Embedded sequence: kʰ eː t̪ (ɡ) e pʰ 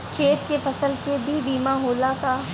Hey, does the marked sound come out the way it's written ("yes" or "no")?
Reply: no